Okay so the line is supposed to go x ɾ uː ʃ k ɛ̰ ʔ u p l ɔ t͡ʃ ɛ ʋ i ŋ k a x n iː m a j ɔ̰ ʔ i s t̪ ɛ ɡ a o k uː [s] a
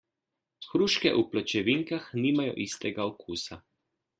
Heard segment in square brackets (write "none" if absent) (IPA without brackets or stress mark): s